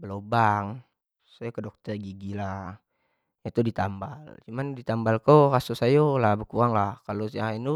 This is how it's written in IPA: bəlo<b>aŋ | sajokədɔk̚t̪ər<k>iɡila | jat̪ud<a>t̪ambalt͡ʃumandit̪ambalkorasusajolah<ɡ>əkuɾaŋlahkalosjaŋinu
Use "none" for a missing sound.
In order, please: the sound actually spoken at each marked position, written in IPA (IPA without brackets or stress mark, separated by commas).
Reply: b, ɡ, i, b